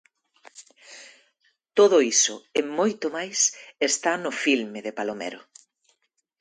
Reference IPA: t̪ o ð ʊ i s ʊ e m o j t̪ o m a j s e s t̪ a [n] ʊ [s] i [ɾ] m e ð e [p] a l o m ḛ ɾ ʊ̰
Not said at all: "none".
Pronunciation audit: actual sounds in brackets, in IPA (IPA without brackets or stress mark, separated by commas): n, f, l, p